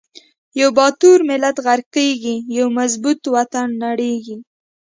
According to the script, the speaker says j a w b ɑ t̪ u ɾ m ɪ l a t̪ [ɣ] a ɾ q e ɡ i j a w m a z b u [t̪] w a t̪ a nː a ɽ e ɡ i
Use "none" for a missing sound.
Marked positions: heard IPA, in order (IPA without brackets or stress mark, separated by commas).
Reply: ɣ, t̪